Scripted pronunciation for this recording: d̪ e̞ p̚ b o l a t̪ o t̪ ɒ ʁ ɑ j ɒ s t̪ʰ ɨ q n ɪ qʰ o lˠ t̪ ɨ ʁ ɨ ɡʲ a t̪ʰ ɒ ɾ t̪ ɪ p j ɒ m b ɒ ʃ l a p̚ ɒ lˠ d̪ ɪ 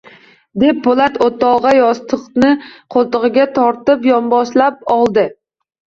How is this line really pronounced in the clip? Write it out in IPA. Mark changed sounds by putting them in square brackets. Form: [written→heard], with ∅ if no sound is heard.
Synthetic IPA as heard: d̪ e̞ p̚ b o l a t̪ o t̪ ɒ ʁ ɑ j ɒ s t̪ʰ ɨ q n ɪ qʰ o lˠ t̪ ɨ ʁ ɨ ɡʲ a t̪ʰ ɒ ɾ t̪ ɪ p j ɒ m b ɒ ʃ l a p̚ ɒ lˠ d̪ ɪ